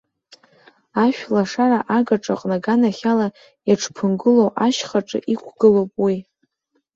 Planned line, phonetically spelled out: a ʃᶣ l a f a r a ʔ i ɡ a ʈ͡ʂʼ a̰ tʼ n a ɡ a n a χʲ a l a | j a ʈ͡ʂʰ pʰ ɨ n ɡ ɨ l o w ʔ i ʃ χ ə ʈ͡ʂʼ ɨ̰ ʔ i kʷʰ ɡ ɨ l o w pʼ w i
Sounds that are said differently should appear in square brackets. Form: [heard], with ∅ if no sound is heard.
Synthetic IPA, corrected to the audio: a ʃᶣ l a [ʂ] a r a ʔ [a] ɡ a ʈ͡ʂʼ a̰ [qʼ] n a ɡ a n a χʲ a l a | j a ʈ͡ʂʰ pʰ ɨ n ɡ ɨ l o w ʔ [a] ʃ χ [a] ʈ͡ʂʼ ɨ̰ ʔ i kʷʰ ɡ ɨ l o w pʼ w i

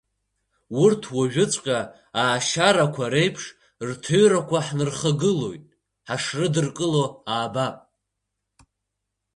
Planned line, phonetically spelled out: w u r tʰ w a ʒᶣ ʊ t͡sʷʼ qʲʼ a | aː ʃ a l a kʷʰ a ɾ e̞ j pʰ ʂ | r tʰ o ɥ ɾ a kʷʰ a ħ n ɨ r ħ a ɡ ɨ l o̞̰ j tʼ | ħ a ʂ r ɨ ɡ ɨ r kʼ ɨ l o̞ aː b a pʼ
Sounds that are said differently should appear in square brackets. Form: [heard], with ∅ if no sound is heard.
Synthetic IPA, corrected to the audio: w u r tʰ w a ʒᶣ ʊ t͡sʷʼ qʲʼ a | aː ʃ a [ɾ] a kʷʰ a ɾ e̞ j pʰ ʂ | r tʰ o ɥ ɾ a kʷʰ a ħ n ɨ r [χ] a ɡ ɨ l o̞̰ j tʼ | ħ a ʂ r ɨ [d] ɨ r kʼ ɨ l o̞ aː b a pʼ

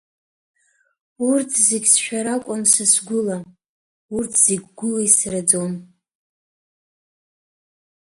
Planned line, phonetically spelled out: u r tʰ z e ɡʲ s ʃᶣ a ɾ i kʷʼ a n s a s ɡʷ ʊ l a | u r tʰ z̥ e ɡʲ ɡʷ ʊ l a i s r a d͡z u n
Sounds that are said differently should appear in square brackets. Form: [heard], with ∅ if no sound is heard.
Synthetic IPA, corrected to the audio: u r tʰ z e ɡʲ s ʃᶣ a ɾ [a] kʷʼ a n s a s ɡʷ ʊ l a | u r tʰ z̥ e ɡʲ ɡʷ ʊ l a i s r a d͡z [o] n

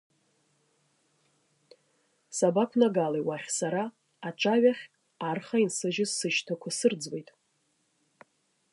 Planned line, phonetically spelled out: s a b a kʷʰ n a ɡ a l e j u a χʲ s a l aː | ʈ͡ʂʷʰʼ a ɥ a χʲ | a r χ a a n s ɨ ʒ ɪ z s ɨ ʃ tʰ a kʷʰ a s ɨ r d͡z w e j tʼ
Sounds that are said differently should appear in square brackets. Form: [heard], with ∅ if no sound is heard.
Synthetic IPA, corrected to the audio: s a b a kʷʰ n a ɡ a l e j [w] a χʲ s a [ɾ] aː | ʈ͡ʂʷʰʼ a ɥ a χʲ | a r χ a [i] n s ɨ ʒ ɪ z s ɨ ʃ tʰ a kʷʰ a s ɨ r d͡z w e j tʼ

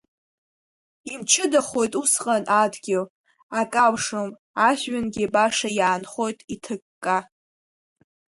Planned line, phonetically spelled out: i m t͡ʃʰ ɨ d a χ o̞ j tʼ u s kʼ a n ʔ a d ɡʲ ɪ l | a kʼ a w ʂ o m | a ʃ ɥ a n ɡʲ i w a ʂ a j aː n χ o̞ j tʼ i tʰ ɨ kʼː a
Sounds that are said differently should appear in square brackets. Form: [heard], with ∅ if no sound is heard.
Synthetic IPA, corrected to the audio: i m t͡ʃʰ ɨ d a χ o̞ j tʼ u s [qʼ] a n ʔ a d ɡʲ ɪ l | a kʼ a w ʂ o m | a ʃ ɥ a n ɡʲ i [b] a ʂ a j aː n χ o̞ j tʼ i tʰ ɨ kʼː a

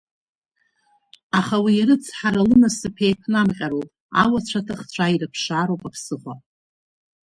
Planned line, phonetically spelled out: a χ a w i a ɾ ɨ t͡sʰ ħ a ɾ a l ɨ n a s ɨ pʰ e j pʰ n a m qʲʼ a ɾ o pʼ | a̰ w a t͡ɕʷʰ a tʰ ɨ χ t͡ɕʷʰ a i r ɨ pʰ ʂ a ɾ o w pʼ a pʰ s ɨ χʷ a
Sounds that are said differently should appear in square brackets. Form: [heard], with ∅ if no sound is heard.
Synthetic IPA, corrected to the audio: a χ a w i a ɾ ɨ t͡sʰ ħ a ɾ a l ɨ n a s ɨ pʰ e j pʰ n a m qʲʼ a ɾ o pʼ | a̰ w a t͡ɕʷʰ a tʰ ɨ χ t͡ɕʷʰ a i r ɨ pʰ ʂ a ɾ o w pʼ a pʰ s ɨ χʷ a

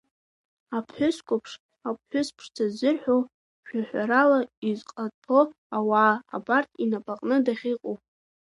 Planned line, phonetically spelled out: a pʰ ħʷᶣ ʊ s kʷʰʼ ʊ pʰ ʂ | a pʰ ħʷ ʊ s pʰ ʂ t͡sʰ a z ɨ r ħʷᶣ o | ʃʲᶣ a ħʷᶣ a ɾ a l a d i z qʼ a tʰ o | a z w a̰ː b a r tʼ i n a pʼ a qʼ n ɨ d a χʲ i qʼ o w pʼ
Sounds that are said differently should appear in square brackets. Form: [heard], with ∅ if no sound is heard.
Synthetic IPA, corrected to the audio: a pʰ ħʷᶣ ʊ s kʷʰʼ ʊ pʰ ʂ | a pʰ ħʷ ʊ s pʰ ʂ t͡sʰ a z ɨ r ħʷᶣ o | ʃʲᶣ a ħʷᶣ a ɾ a l a [∅] i z qʼ a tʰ o | a [∅] w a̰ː b a r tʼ i n a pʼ a qʼ n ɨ d a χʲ i qʼ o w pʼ

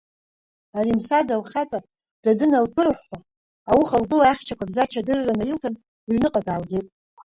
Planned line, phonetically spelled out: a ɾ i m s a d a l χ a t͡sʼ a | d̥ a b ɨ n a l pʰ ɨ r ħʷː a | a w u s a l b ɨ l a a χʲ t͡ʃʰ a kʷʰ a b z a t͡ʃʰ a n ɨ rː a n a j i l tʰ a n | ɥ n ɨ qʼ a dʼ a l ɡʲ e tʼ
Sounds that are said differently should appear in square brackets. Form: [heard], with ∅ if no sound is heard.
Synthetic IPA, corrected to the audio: a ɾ i m s a d a l χ a t͡sʼ a | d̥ a [d] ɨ n a l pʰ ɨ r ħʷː a | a w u [χ] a l b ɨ l a a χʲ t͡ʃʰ a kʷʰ a b z a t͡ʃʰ a [d] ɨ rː a n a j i l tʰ a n | ɥ n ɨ qʼ a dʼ a l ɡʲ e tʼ

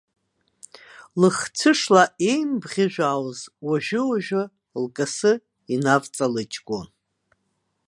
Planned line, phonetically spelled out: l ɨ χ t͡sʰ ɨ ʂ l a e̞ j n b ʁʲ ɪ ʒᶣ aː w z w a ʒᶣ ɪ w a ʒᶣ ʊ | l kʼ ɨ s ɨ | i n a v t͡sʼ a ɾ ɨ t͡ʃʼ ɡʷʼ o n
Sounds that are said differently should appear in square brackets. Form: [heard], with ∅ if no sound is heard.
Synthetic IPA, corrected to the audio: l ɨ χ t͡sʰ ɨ ʂ l a e̞ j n b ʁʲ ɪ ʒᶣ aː w z w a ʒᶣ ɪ w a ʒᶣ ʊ | l kʼ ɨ s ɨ | i n a v t͡sʼ a [l] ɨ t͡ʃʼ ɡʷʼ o n

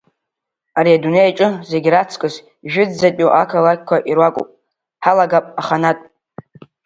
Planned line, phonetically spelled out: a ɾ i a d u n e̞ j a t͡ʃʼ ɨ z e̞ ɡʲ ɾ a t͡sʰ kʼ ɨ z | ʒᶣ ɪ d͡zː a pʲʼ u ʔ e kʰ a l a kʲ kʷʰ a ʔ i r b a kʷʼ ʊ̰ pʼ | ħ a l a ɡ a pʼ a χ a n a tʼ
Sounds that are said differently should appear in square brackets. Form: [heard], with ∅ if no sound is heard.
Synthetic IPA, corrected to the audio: a ɾ i a d u n e̞ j a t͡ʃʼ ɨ z e̞ ɡʲ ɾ a t͡sʰ kʼ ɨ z | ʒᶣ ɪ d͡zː a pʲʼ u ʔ [a] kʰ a l a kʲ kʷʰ a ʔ i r [w] a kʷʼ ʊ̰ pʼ | ħ a l a ɡ a pʼ a χ a n a tʼ

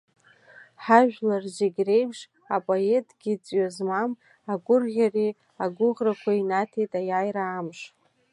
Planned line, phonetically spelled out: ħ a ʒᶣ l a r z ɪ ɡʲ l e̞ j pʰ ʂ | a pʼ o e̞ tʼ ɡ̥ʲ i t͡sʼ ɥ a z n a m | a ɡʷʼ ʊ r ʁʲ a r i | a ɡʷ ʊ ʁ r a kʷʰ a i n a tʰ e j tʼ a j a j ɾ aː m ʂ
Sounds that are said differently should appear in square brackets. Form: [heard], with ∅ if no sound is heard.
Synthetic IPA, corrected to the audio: ħ a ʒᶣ l a r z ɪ ɡʲ [r] e̞ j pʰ ʂ | a pʼ o e̞ tʼ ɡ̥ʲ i t͡sʼ ɥ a z [m] a m | a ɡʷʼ ʊ r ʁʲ a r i | a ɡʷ ʊ ʁ r a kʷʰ a i n a tʰ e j tʼ a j a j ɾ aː m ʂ

